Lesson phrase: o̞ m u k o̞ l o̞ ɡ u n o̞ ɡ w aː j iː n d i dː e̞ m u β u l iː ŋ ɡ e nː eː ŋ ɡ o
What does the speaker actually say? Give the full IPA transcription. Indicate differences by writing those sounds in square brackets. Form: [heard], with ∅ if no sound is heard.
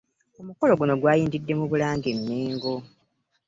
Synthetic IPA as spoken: o̞ m u k o̞ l o̞ ɡ u n o̞ ɡ w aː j iː n d i dː e̞ m u β u l [aː] ŋ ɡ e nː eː ŋ ɡ o